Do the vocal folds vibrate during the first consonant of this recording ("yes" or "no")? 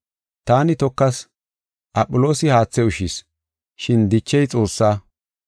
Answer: no